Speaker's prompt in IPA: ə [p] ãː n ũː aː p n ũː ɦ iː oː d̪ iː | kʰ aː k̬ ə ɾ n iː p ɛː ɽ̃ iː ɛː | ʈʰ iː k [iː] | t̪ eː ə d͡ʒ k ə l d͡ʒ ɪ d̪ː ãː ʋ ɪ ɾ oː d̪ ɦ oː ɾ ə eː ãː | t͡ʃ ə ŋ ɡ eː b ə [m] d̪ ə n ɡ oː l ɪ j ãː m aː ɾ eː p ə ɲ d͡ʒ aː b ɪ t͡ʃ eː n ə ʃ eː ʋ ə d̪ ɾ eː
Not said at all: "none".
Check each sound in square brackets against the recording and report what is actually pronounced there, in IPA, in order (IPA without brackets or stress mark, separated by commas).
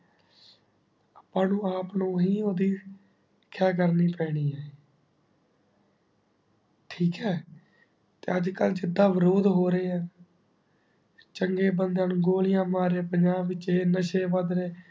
p, ɛː, n